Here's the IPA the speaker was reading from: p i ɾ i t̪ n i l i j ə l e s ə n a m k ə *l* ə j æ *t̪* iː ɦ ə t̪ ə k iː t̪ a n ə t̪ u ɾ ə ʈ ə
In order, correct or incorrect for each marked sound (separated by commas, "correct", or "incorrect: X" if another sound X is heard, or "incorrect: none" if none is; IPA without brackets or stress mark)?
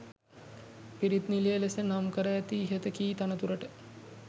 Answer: incorrect: ɾ, correct